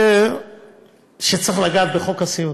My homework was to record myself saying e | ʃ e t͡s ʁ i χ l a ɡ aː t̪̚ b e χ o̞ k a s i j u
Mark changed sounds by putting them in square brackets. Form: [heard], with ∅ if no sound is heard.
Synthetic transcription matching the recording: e | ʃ e t͡s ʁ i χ l a ɡ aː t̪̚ b e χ o̞ k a s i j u